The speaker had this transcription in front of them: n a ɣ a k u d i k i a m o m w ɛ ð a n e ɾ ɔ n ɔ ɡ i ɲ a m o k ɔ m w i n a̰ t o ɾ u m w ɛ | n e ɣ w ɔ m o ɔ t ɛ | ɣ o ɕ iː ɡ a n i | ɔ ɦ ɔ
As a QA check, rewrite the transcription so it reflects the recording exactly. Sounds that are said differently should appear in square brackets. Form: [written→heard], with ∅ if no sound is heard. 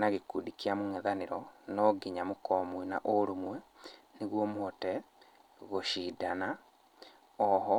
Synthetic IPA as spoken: n a ɣ [a→e] k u d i k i a m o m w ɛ ð a n e ɾ ɔ n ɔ ɡ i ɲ a m o k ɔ m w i n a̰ [t→ʔ] o ɾ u m w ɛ | n e ɣ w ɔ m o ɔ t ɛ | ɣ o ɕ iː [ɡ→d] a n [i→a] | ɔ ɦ ɔ